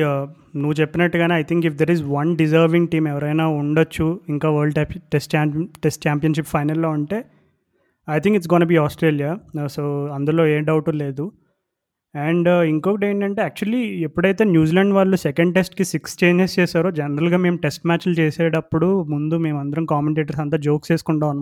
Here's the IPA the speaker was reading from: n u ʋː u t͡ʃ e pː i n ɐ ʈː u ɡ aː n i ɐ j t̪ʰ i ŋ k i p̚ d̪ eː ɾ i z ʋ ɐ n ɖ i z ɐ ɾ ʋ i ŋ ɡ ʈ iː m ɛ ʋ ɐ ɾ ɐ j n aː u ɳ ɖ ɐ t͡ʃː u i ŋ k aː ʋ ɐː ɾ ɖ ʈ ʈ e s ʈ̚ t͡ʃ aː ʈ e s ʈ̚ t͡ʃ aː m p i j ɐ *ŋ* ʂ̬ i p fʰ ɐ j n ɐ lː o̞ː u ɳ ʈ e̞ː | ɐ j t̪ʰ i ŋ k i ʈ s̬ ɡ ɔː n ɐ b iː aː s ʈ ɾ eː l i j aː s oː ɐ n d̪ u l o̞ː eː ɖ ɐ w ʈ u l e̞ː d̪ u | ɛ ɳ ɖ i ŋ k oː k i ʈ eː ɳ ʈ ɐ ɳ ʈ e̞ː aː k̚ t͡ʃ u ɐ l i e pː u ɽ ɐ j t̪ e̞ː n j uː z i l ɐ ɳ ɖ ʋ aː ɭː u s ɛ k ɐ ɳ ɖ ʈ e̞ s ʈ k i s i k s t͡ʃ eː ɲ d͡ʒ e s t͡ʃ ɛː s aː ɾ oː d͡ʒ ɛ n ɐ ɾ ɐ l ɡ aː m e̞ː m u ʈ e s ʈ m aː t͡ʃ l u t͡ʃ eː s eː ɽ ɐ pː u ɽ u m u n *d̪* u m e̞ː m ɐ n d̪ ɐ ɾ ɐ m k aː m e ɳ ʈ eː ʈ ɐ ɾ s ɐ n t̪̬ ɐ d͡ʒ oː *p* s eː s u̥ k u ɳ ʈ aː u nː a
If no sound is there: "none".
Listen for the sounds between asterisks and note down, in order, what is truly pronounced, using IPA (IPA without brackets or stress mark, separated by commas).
n, d̪, k